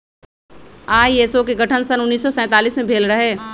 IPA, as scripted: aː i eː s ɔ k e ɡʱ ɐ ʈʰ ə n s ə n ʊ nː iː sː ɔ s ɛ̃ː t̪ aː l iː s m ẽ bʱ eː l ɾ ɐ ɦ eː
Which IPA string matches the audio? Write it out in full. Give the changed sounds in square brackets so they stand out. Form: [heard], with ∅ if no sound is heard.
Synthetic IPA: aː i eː s [o] k e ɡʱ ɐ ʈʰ ə n s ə n ʊ nː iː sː ɔ s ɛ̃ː t̪ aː l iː s m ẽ bʱ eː l ɾ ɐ ɦ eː